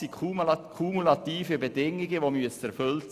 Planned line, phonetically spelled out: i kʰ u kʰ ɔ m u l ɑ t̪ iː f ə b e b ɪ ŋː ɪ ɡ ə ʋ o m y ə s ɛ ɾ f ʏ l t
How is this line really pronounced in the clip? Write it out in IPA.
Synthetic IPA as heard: i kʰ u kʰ u m u l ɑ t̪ iː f ə b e d ɪ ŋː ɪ ɡ ə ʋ o m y ə s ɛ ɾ f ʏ l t